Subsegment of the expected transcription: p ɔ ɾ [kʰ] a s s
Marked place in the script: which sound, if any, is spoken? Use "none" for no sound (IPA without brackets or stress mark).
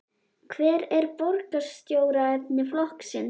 k